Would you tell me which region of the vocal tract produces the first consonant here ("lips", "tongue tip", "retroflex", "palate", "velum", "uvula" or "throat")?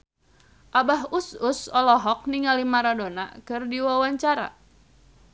throat